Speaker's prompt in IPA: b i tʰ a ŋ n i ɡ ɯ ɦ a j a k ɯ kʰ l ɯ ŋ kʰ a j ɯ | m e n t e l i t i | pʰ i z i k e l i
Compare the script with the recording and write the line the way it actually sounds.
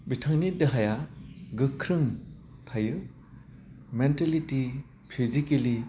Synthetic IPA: b i tʰ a ŋ n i d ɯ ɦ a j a ɡ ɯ kʰ ɾ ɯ ŋ tʰ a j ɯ | m e n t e l i t i | pʰ i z i k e l i